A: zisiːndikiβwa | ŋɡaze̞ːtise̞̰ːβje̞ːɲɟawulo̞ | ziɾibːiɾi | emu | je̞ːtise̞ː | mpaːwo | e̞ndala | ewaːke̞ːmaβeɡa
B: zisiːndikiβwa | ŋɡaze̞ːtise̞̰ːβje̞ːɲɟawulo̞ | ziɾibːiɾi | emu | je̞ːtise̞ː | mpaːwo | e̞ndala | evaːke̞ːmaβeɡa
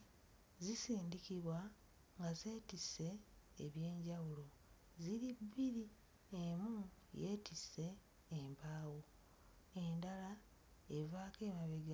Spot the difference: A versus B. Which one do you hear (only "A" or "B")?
B